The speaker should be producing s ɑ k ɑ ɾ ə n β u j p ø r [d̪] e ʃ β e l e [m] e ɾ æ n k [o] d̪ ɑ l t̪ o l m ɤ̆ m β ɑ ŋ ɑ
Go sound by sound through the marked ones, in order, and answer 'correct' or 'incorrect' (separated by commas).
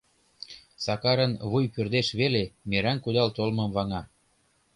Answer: correct, correct, incorrect